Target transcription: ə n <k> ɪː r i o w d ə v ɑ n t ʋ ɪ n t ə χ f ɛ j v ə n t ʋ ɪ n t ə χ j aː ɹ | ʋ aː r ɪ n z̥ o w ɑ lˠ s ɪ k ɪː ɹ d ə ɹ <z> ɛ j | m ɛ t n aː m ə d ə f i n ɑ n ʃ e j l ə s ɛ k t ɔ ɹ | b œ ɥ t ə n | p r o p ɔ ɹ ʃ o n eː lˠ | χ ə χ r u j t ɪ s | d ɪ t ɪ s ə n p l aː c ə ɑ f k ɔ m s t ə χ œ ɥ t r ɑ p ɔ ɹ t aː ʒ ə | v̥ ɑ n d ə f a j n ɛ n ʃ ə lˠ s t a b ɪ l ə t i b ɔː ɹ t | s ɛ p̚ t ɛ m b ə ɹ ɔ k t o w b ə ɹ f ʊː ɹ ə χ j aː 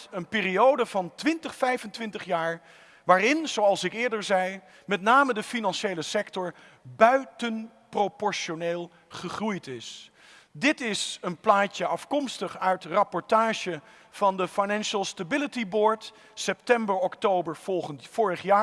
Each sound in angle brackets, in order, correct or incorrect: incorrect: p, correct

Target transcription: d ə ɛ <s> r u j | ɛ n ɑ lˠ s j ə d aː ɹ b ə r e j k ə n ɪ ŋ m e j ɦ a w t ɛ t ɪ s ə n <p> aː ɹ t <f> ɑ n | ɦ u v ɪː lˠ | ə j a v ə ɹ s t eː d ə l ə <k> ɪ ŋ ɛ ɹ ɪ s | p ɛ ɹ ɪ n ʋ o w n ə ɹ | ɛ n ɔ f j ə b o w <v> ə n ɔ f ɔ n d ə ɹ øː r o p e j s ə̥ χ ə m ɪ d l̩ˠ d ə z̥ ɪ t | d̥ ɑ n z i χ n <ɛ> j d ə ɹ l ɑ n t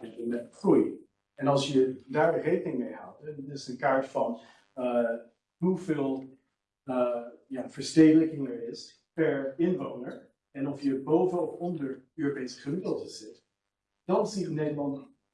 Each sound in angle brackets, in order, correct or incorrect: incorrect: χ, incorrect: k, correct, correct, correct, incorrect: e

